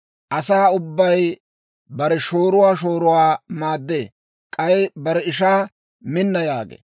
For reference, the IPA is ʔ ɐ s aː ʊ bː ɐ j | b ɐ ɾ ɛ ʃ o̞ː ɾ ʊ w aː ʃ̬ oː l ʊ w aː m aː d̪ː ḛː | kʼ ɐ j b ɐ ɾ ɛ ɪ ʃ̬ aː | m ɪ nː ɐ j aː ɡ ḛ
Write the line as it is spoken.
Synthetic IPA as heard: ʔ ɐ s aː ʊ bː ɐ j | b ɐ ɾ ɛ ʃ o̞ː ɾ ʊ w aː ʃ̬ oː ɾ ʊ w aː m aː d̪ː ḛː | kʼ ɐ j b ɐ ɾ ɛ ɪ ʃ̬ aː | m ɪ nː ɐ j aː ɡ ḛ